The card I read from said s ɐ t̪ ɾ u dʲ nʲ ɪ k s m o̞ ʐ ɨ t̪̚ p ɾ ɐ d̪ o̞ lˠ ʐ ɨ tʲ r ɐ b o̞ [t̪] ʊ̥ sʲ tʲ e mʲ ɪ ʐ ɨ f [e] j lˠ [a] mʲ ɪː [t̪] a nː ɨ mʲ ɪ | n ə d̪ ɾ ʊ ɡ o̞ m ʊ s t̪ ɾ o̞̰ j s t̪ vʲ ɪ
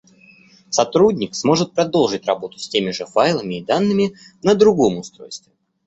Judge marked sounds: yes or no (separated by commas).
yes, no, no, no